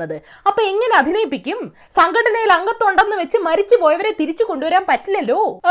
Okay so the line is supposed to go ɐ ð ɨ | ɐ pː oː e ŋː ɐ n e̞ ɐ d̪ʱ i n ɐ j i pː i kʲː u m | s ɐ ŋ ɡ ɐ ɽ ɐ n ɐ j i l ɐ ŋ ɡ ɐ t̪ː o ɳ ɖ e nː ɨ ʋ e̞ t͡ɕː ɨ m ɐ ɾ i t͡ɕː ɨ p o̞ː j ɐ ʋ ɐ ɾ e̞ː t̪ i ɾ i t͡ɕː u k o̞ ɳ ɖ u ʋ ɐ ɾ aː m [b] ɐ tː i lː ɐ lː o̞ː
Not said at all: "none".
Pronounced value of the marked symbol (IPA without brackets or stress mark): p